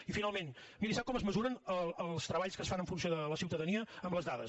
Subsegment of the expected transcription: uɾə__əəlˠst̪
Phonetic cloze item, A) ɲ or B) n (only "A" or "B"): B